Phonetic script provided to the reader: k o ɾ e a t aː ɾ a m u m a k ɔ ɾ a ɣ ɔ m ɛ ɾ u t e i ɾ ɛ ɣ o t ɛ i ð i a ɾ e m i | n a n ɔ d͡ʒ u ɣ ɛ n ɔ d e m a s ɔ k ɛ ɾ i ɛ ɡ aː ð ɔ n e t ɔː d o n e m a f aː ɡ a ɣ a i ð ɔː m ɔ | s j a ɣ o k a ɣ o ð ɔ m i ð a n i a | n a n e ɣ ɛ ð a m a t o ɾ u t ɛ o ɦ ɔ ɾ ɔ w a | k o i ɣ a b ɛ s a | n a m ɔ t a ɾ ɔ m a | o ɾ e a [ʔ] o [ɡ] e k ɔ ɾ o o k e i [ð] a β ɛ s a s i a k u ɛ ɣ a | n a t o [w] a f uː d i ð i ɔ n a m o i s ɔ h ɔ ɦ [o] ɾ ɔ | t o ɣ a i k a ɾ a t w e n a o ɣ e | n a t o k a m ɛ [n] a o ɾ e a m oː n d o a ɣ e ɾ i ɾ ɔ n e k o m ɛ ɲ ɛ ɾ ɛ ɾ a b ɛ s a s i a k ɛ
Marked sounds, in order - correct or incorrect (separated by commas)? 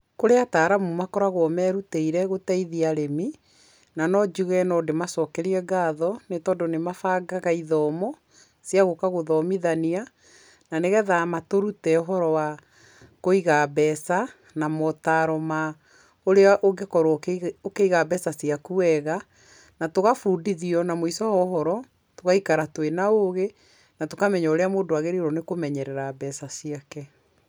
correct, correct, incorrect, incorrect, incorrect, incorrect